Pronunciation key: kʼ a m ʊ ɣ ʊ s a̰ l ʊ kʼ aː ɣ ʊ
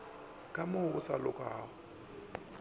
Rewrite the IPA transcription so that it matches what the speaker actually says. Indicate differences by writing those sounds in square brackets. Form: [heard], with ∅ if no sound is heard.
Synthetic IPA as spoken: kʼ a m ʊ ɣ ʊ s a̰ l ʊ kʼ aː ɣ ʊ